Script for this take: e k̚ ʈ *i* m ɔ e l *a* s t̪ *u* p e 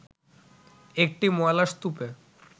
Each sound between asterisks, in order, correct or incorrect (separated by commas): correct, correct, correct